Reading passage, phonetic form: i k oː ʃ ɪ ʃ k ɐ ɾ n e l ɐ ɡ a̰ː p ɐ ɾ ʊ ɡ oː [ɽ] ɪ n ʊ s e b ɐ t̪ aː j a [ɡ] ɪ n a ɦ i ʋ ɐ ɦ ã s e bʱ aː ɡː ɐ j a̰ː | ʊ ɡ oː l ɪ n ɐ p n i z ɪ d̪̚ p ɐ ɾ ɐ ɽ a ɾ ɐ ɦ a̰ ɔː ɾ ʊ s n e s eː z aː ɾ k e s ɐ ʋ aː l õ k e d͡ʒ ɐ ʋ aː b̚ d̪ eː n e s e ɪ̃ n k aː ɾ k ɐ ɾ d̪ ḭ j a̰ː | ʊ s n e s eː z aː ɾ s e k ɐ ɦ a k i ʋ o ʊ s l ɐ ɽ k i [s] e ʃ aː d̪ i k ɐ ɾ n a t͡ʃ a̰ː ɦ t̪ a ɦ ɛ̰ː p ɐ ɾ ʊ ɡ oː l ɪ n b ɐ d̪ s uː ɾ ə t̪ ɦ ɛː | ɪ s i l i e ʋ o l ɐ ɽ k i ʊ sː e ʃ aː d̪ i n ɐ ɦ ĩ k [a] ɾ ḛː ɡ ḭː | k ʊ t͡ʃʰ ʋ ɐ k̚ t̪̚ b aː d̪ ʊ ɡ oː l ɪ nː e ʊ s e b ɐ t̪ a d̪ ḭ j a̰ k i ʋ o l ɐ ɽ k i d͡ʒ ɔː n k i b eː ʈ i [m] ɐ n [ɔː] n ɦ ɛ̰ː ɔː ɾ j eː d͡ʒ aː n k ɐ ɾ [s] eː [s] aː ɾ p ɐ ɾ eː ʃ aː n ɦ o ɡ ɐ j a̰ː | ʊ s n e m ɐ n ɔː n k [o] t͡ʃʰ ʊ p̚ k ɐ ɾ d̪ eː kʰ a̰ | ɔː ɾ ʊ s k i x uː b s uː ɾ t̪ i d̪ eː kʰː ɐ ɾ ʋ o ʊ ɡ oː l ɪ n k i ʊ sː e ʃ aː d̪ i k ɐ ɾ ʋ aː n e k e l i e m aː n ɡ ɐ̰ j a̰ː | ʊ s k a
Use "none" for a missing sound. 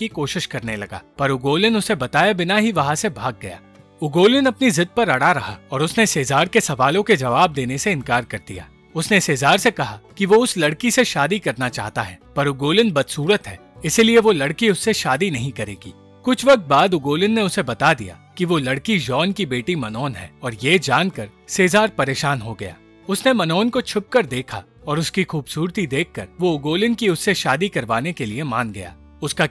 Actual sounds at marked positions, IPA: l, b, s, ɐ, m, ɔː, s, z, o

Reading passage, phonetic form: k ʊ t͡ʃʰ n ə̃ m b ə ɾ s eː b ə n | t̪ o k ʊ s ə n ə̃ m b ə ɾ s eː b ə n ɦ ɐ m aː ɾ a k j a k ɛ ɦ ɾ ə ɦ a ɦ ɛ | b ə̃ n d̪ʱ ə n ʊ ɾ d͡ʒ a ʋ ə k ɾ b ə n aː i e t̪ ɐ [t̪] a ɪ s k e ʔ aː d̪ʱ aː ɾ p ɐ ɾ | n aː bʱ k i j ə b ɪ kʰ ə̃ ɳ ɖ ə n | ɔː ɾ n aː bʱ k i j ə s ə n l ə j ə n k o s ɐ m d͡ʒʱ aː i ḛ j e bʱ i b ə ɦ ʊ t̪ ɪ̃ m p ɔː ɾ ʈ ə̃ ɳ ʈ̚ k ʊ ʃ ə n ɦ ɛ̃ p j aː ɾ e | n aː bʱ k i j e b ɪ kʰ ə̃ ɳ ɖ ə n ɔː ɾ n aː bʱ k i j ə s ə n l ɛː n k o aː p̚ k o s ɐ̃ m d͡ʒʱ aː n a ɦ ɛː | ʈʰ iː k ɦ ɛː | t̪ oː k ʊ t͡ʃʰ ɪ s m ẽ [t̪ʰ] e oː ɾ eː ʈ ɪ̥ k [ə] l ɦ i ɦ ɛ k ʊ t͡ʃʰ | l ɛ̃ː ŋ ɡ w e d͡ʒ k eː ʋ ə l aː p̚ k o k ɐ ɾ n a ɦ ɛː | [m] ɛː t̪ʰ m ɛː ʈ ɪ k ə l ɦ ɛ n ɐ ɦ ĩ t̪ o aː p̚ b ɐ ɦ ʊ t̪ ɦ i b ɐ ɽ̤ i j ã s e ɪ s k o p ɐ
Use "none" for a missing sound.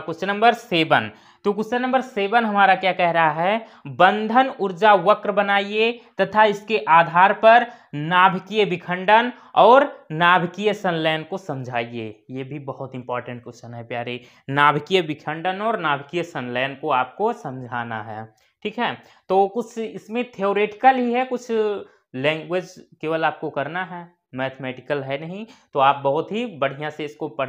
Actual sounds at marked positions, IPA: t̪ʰ, t̪ʰ, ə, m

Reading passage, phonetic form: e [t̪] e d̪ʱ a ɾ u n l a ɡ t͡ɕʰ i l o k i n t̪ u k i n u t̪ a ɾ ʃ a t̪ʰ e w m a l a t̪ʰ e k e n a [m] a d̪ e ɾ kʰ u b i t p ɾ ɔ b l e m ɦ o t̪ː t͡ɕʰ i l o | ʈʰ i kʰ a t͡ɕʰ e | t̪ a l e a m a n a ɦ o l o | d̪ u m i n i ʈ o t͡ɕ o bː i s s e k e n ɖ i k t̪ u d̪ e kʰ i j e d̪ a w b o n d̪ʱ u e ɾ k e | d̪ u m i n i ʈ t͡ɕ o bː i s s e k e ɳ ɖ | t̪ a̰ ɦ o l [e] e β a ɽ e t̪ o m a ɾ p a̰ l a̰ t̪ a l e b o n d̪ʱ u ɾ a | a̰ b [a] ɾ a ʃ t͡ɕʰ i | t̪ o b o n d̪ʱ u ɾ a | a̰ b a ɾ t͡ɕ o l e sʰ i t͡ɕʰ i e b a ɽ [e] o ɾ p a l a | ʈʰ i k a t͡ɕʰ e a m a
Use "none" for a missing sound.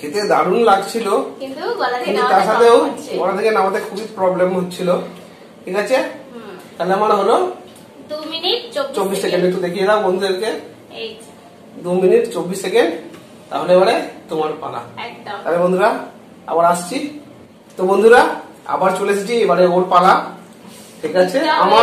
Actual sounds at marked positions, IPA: t̪, m, e, a, e

